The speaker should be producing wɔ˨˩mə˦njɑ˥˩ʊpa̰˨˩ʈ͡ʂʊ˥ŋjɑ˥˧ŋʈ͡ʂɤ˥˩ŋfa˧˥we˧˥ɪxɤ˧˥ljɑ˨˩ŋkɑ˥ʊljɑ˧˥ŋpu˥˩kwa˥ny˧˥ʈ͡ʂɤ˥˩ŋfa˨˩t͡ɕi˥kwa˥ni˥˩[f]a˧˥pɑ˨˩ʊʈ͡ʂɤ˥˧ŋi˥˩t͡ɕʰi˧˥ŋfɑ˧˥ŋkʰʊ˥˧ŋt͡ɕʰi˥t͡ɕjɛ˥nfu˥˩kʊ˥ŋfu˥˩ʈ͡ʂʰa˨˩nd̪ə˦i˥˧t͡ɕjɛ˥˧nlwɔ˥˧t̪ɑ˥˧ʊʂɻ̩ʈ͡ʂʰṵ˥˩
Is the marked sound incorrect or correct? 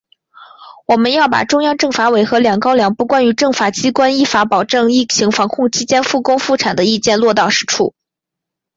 correct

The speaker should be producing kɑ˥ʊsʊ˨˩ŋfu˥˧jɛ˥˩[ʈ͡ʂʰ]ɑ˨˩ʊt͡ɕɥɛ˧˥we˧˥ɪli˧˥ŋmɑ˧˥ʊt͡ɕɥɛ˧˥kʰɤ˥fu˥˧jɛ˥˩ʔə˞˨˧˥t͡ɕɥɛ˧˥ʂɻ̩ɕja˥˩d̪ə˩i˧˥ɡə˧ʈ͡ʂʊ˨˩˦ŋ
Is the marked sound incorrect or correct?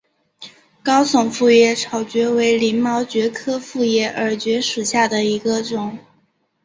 correct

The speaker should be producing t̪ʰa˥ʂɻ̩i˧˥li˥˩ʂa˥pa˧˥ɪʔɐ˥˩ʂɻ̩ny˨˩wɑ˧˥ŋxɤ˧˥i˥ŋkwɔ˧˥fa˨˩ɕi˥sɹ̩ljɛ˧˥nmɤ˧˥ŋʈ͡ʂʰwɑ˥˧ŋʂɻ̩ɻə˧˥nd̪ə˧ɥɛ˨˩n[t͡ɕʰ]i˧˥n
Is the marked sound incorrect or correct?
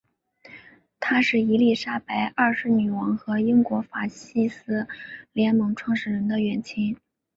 correct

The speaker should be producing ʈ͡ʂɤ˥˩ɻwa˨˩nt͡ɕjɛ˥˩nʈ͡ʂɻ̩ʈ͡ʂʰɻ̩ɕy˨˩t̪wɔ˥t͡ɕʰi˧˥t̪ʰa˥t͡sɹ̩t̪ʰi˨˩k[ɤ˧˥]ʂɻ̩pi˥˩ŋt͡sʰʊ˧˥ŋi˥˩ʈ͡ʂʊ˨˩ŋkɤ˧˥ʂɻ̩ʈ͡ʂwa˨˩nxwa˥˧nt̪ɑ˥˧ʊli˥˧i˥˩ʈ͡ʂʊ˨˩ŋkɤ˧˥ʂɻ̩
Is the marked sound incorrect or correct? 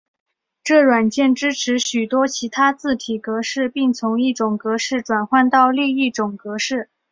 correct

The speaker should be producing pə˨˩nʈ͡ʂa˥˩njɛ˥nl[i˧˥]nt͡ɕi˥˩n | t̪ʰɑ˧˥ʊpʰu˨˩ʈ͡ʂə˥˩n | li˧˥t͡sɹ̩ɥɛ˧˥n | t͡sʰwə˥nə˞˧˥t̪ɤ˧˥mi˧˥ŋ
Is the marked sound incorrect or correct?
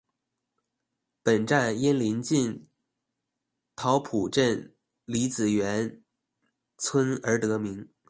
correct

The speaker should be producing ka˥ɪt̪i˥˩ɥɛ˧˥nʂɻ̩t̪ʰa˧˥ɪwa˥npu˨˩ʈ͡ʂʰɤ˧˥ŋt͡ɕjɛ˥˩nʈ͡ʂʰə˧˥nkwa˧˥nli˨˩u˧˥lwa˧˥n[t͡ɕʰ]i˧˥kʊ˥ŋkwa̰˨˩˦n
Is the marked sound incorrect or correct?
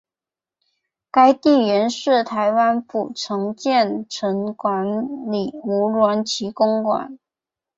correct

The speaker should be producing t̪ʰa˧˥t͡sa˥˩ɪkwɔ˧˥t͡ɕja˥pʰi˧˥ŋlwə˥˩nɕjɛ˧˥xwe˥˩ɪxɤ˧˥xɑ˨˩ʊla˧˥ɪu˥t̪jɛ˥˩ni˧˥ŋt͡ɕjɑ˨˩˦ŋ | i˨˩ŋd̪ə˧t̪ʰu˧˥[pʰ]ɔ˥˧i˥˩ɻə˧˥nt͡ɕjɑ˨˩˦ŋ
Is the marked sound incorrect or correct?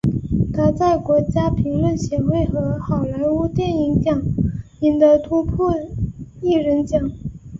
correct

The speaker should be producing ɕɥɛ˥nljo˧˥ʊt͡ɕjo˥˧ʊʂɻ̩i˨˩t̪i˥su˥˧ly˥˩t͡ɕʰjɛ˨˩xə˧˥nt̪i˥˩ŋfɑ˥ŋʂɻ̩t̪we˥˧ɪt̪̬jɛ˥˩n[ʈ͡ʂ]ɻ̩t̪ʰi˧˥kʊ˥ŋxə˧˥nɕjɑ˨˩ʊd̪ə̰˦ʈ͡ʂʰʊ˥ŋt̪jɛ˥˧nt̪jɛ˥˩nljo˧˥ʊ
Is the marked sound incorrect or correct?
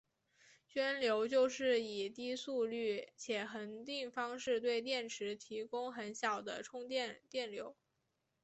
incorrect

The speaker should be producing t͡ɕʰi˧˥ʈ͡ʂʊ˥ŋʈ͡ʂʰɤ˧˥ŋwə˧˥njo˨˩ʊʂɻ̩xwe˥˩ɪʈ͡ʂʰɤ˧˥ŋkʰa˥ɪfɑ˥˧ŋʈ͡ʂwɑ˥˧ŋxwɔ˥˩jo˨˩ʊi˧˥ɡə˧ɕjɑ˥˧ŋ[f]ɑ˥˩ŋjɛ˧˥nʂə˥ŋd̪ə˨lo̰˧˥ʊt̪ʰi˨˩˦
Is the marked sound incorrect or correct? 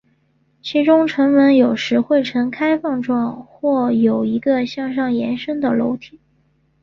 incorrect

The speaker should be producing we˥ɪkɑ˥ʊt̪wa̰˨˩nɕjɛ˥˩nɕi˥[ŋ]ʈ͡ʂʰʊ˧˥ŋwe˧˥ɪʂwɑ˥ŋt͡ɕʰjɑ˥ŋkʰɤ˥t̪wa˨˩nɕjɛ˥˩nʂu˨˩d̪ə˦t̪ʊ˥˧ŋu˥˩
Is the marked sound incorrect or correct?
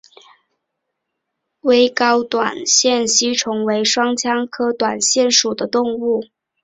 incorrect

